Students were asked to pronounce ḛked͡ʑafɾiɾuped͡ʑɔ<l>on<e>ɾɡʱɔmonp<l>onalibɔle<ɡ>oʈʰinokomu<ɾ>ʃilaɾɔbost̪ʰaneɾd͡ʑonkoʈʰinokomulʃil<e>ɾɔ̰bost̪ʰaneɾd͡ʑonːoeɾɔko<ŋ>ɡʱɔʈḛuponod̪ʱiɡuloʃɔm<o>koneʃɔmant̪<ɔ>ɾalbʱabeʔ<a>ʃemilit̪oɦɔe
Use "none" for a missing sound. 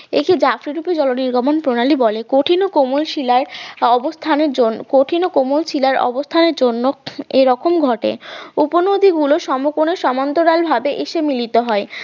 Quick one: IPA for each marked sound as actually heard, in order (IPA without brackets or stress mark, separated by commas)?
l, i, ɾ, k, l, a, m, o, o, e